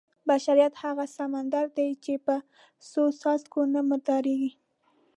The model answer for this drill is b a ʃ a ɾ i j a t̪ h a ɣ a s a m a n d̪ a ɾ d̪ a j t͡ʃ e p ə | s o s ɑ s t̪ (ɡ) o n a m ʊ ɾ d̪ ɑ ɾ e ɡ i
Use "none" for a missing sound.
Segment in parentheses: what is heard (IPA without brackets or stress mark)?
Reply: k